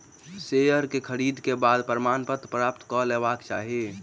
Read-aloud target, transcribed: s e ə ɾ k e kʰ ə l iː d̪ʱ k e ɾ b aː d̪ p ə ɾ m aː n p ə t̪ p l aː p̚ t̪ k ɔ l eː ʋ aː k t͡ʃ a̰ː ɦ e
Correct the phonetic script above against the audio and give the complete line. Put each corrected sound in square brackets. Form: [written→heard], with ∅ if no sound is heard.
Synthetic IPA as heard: s e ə ɾ k e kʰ ə [l→ɾ] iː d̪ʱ k e [ɾ→∅] b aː d̪ p ə ɾ m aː n p ə t̪ p [l→ɾ] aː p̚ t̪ k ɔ l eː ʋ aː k t͡ʃ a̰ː ɦ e